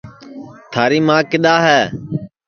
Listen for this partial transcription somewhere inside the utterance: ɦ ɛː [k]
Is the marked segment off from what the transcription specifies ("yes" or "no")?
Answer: yes